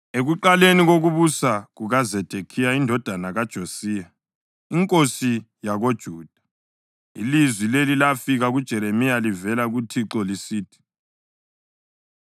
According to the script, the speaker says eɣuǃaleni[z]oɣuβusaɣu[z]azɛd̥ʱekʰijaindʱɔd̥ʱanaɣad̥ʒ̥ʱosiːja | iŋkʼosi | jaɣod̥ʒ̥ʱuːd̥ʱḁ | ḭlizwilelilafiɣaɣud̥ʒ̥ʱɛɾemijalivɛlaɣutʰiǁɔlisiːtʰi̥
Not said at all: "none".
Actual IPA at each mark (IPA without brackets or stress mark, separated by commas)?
ɣ, ɣ